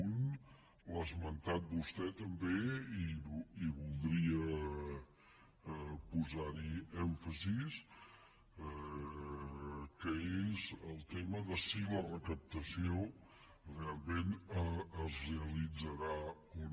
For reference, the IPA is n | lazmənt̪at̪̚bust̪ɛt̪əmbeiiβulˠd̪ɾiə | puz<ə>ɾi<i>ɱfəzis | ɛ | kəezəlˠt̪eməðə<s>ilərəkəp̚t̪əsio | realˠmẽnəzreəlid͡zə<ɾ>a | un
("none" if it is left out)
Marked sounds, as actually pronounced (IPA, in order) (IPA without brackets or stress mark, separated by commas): a, ɛ, s, ɾ